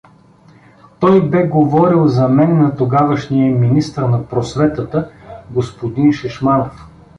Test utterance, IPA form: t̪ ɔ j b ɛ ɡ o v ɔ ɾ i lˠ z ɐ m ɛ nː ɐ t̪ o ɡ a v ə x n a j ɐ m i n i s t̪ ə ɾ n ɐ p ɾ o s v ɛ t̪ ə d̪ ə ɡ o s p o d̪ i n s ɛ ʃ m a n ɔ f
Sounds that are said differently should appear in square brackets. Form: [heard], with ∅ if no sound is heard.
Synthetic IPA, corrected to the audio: t̪ ɔ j b ɛ ɡ o v ɔ ɾ i lˠ z ɐ m ɛ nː ɐ t̪ o ɡ a v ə [ʃ] n [i] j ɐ m i n i s t̪ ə ɾ n ɐ p ɾ o s v ɛ t̪ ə [t̪] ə ɡ o s p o d̪ i n [ʃ] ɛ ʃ m a n [o] f